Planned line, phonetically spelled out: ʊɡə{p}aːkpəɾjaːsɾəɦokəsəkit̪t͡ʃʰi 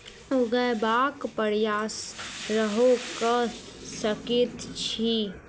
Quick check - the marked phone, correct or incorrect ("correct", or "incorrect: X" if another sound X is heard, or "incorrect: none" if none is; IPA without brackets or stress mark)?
incorrect: b